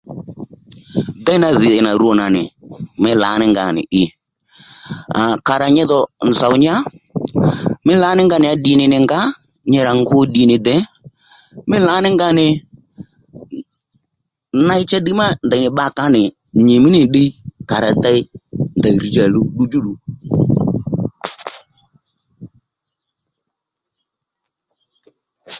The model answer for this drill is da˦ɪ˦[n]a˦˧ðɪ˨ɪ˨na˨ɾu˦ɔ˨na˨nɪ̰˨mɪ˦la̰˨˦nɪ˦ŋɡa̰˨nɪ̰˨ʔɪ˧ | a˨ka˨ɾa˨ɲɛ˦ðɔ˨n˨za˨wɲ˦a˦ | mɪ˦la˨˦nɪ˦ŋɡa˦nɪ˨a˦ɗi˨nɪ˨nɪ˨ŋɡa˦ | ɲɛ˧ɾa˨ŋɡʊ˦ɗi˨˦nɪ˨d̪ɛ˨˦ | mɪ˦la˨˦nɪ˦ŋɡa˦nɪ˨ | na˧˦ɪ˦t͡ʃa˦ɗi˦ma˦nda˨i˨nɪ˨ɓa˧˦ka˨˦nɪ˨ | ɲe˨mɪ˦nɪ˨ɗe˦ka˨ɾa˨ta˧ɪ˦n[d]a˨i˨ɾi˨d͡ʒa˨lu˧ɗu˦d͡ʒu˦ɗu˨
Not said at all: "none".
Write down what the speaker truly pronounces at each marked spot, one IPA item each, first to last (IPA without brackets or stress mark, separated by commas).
n, d